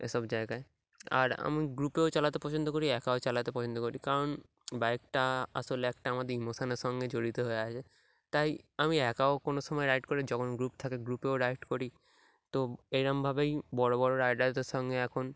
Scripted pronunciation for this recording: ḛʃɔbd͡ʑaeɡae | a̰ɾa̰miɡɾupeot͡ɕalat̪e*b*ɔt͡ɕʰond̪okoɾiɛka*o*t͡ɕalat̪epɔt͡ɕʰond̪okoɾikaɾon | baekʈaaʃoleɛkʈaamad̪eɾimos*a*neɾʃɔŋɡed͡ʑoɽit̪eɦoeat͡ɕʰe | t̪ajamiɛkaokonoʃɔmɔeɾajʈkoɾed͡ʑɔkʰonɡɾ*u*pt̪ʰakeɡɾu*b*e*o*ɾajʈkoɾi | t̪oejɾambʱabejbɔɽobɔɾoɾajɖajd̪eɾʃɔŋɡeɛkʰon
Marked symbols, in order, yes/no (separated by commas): no, yes, yes, yes, no, yes